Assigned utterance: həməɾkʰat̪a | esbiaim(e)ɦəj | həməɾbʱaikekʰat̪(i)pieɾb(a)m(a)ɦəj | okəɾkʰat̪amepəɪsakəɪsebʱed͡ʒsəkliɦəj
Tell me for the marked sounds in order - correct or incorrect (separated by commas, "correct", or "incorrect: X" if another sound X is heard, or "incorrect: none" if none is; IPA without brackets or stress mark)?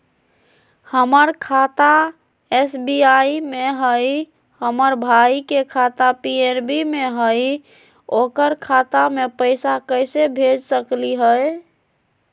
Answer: correct, incorrect: a, incorrect: i, incorrect: e